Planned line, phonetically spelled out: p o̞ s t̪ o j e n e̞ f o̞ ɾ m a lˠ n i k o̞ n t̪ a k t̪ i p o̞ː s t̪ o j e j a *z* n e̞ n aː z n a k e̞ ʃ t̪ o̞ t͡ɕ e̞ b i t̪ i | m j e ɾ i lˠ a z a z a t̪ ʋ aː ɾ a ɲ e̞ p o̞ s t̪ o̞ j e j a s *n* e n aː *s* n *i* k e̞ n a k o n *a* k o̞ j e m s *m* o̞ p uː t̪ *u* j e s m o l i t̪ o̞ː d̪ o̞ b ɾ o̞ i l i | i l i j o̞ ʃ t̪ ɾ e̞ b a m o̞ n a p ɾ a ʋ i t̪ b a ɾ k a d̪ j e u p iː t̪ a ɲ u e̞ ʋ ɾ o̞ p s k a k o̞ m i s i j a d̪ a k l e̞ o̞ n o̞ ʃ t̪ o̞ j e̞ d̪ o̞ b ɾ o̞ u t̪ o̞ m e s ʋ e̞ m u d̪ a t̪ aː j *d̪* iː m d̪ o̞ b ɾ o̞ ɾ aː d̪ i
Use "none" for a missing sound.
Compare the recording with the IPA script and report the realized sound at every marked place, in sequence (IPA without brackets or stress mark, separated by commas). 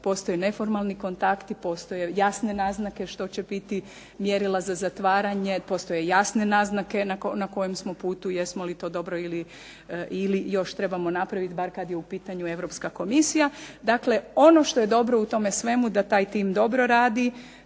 s, n, z, a, a, m, u, t̪